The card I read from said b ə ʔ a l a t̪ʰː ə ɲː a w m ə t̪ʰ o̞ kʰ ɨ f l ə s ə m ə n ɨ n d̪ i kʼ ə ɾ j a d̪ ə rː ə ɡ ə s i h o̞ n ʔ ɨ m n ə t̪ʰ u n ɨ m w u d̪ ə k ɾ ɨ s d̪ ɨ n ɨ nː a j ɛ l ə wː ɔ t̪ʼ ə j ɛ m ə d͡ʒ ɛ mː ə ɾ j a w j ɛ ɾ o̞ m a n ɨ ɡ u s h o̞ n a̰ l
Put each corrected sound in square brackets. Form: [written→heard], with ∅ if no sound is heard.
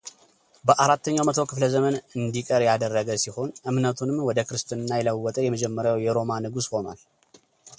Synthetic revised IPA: b ə ʔ a [l→ɾ] a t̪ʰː ə ɲː a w m ə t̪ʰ o̞ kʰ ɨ f l ə [s→z] ə m ə n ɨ n d̪ i kʼ ə ɾ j a d̪ ə rː ə ɡ ə s i h o̞ n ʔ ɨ m n ə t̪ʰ u n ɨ m w [u→ɔ] d̪ ə k ɾ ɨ s [d̪→t̪] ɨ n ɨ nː a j ɛ l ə wː ɔ t̪ʼ ə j ɛ m ə d͡ʒ ɛ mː ə ɾ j a w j ɛ ɾ o̞ m a n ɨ ɡ u s h o̞ n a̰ l